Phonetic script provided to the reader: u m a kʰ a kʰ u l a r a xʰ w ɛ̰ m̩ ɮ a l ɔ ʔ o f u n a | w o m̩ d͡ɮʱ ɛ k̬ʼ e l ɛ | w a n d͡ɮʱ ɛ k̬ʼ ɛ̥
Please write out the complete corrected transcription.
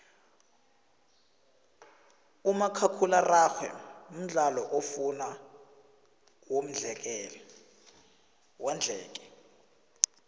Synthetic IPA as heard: u m a kʰ a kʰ u l a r a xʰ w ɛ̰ m̩ ɮ a l ɔ ʔ o f u n a | w o m̩ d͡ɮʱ ɛ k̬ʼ ɛ l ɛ | w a n d͡ɮʱ ɛː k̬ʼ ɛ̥